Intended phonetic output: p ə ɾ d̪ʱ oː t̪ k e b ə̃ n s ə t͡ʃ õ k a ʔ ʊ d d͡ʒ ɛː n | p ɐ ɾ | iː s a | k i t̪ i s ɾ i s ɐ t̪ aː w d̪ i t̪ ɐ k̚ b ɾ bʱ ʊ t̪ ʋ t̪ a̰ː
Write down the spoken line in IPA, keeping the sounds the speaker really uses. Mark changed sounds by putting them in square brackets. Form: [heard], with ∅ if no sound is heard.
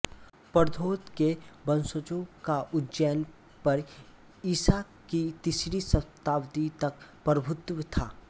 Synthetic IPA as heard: p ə ɾ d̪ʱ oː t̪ k e b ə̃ n s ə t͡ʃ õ k a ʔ ʊ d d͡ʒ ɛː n | p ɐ ɾ | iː s a | k i t̪ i s ɾ i s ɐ t̪ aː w d̪ i t̪ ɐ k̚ [p] ɾ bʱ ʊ t̪ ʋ [t̪ʰ] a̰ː